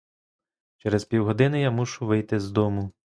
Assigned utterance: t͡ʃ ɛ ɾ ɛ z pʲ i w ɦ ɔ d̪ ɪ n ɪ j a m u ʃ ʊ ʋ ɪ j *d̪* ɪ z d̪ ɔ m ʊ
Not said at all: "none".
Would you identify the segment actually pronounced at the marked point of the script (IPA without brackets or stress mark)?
t̪